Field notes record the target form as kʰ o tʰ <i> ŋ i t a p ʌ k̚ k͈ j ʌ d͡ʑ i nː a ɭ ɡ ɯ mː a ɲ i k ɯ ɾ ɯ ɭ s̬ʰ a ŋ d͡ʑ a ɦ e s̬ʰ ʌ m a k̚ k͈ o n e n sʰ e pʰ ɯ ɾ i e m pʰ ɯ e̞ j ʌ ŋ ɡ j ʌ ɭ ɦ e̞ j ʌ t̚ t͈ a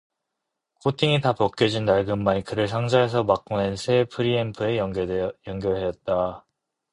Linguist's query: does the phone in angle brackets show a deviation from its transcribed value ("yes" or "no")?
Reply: no